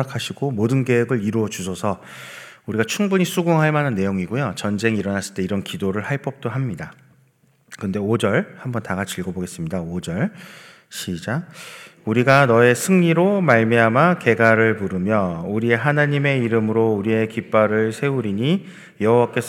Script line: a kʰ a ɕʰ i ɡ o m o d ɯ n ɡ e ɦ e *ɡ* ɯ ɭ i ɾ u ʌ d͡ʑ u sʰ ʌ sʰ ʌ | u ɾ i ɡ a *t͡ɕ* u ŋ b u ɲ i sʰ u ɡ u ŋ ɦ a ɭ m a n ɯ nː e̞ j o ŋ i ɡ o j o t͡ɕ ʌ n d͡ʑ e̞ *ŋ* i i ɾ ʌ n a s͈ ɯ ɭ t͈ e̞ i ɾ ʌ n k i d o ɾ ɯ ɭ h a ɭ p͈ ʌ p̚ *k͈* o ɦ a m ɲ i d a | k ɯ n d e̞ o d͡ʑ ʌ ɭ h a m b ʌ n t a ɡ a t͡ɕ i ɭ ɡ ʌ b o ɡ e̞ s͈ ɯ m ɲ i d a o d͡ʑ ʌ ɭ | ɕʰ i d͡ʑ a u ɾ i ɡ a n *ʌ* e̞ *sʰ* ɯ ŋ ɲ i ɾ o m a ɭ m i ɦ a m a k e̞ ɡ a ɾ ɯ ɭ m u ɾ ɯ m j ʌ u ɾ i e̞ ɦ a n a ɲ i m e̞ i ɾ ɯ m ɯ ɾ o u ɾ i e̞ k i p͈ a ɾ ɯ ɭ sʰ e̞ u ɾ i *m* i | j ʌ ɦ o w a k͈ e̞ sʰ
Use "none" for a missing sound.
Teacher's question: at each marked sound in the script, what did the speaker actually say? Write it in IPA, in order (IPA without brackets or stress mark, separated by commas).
ɡ, t͡ɕʰ, ŋ, t͈, ʌ, sʰ, ɲ